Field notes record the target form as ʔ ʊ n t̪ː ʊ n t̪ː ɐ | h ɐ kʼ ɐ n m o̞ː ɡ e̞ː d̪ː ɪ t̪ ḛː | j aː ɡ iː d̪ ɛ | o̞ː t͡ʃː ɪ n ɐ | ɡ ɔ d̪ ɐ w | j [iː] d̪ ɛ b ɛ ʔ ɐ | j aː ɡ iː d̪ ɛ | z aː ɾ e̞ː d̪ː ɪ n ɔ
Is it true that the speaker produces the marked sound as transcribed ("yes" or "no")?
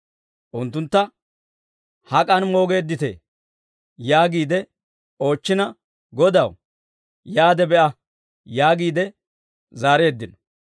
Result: no